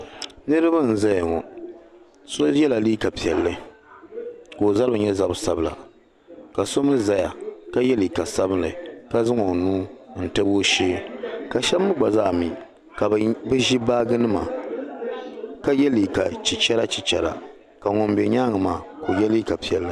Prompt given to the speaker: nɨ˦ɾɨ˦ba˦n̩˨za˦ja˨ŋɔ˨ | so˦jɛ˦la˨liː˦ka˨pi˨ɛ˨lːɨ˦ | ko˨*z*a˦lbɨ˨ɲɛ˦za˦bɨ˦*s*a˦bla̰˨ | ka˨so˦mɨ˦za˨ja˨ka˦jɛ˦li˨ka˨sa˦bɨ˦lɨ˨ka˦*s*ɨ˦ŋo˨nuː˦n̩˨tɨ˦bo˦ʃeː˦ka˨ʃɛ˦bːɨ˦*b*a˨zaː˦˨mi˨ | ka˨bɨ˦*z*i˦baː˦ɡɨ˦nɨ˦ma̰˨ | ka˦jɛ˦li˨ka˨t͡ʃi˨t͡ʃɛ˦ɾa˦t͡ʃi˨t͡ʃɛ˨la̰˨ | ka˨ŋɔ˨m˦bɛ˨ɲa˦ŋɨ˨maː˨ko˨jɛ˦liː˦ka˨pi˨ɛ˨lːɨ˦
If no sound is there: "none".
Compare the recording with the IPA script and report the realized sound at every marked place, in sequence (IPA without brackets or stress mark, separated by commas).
z, s, z, ɡ͡b, ʒ